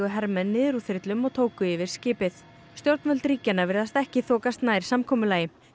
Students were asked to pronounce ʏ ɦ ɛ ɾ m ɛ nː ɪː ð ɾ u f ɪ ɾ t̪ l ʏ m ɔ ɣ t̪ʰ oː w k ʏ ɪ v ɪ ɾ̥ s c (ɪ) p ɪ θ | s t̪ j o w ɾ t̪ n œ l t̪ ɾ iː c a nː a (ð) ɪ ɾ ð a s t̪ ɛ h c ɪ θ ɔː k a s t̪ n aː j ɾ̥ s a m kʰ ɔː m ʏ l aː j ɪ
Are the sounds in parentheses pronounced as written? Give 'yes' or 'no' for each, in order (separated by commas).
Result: no, no